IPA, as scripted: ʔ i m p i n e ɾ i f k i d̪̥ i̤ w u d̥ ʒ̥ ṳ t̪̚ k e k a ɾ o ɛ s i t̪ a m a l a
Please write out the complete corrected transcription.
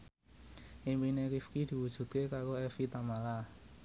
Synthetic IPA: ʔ i m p i n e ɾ i f k i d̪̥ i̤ w u d̥ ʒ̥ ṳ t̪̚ k e k a ɾ o ɛ f i t̪ a m a l a